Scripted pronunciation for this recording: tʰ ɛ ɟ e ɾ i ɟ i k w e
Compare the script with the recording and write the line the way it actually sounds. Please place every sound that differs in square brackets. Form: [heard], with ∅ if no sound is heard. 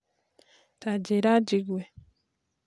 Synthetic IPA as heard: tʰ [a] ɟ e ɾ [a] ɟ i [ɡ] w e

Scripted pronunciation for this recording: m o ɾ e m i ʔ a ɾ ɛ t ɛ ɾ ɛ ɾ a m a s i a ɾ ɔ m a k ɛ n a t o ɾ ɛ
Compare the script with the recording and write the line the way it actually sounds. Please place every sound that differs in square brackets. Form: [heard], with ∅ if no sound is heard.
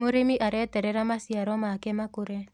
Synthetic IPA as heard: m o ɾ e m i ʔ a ɾ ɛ t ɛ ɾ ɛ ɾ a m a s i a ɾ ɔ m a k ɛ [m] a [k] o ɾ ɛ

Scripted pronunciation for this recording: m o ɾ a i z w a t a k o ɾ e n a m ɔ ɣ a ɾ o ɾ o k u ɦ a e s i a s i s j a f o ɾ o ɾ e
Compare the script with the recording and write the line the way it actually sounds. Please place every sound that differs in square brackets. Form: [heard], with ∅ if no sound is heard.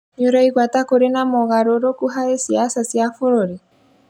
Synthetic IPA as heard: [ɲ] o ɾ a i [ɣ] w a t a k o ɾ e n a m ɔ ɣ a ɾ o ɾ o k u ɦ a e s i a s [a] s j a f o ɾ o ɾ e

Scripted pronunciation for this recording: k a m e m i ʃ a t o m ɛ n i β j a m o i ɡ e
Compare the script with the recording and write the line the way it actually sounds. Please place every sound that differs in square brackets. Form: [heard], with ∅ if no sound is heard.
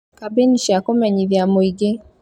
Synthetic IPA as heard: k a [b] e [n] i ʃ a [k] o m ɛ [ɲ] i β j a m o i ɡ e

